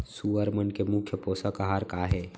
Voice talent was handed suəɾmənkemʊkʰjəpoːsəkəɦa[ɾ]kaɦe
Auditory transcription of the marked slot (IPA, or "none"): ɾ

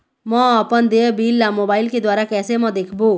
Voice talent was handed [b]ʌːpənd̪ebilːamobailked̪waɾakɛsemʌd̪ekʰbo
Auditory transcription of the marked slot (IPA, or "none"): m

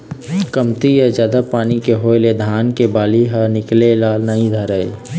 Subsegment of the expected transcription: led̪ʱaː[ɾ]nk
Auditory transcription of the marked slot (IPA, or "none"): none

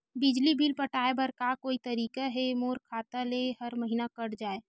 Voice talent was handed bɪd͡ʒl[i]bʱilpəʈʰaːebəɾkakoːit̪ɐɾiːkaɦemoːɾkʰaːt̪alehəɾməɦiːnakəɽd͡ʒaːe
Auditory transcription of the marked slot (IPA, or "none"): i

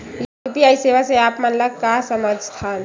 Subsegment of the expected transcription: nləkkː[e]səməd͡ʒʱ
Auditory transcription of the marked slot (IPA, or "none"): a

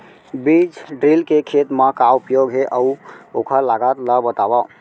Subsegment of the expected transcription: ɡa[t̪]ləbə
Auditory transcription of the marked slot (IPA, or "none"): t̪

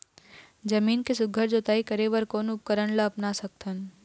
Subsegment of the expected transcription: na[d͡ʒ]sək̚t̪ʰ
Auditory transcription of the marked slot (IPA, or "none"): none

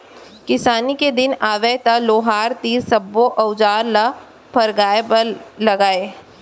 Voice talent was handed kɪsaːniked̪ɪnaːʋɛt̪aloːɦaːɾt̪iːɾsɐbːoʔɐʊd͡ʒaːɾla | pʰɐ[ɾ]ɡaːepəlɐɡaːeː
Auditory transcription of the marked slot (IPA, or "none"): ɾ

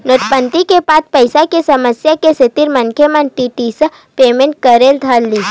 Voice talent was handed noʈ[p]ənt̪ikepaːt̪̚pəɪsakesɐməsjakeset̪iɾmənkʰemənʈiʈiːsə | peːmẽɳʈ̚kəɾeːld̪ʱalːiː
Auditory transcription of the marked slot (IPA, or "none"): p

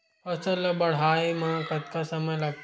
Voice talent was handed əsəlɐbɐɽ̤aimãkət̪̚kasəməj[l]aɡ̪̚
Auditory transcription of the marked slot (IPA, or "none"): l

